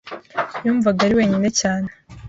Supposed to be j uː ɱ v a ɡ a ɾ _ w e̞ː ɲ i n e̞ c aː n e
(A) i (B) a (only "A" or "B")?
A